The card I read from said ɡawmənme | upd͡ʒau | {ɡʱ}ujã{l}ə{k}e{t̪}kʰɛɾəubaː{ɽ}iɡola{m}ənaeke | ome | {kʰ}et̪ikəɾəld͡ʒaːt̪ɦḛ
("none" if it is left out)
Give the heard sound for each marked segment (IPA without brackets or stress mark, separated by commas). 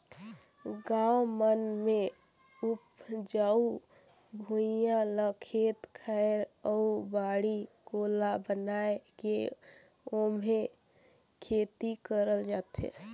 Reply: bʱ, l, kʰ, t̪, ɽ, b, kʰ